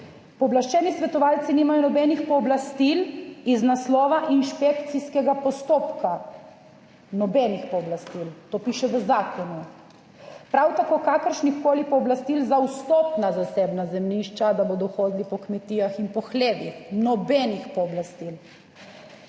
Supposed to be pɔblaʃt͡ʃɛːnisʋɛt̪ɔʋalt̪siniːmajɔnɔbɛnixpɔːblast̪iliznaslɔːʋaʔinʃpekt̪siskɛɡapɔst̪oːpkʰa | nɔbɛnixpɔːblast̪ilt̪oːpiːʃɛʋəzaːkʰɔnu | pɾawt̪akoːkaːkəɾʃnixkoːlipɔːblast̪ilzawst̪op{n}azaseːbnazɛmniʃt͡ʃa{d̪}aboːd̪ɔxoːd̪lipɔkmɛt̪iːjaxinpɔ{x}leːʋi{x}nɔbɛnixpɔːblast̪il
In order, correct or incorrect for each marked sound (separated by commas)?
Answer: correct, correct, correct, correct